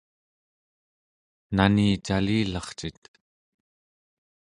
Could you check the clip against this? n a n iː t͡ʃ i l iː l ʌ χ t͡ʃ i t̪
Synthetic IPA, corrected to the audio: n a n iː t͡ʃ a l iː l ɑ χ t͡ʃ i t̪